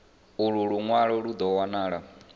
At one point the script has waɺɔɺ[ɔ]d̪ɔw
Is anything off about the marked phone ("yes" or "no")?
yes